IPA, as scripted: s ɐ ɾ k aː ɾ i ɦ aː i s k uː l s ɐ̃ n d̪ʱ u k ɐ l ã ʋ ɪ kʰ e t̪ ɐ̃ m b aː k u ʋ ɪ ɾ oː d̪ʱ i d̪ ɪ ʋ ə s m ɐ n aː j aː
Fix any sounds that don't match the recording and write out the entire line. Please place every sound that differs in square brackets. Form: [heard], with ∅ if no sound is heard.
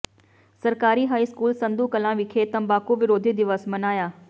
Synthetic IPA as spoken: s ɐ ɾ k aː ɾ i ɦ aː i s k uː l s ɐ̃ n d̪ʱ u k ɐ l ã ʋ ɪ kʰ e t̪ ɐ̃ m b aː k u ʋ ɪ ɾ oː d̪ʱ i d̪ ɪ ʋ ə s m ɐ n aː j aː